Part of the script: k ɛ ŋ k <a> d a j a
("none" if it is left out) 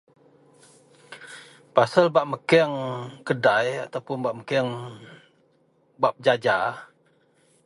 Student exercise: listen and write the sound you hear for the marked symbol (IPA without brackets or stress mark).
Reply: ə